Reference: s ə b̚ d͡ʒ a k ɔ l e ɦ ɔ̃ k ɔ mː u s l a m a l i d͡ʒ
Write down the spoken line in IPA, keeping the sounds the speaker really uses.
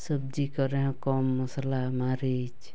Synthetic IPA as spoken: s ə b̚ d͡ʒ i k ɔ ɾ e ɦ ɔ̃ k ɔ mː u s l a m a ɾ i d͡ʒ